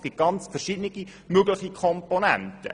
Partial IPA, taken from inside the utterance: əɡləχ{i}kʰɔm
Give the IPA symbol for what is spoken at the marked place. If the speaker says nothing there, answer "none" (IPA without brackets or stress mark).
i